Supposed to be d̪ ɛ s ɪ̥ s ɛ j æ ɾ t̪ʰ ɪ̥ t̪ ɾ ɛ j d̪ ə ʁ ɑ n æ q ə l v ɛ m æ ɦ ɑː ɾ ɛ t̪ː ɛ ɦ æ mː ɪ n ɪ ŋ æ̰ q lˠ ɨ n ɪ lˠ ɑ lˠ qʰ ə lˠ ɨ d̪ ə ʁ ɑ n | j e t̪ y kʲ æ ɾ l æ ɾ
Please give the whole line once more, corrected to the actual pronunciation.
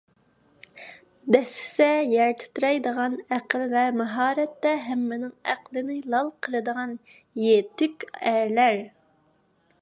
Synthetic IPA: d̪ ɛ s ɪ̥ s ɛ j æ ɾ t̪ʰ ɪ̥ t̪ ɾ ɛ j d̪ ə ʁ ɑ n æ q ə l v ɛ m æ ɦ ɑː ɾ ɛ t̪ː ɛ ɦ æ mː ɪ n ɪ ŋ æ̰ q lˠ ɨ n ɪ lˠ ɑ lˠ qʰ ə lˠ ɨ d̪ ə ʁ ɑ n | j e t̪ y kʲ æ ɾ l æ ɾ